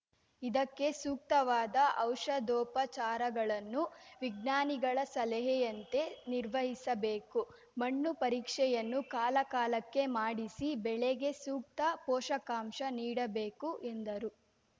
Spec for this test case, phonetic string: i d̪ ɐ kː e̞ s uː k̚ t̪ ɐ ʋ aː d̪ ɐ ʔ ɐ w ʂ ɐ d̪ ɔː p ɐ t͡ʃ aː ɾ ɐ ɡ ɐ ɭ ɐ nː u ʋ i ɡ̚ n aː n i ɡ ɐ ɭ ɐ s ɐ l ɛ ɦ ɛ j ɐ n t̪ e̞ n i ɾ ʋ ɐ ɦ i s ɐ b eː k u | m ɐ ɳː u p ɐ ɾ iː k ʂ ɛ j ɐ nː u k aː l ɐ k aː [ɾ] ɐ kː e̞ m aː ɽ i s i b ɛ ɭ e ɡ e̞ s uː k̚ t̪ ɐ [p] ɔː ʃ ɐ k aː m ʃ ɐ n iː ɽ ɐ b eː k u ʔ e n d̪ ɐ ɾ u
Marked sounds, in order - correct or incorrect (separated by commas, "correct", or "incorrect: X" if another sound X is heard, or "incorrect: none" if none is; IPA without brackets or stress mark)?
incorrect: l, correct